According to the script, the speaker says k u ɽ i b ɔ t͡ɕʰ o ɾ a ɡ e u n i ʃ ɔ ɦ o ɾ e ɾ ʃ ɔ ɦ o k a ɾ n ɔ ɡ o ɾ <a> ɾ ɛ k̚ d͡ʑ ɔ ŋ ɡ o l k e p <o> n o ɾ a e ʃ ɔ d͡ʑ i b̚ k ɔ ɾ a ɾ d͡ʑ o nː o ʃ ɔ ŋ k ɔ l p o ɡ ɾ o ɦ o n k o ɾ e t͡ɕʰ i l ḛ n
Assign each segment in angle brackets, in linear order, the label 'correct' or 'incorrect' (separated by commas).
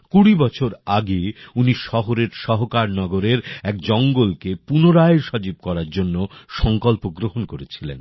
incorrect, incorrect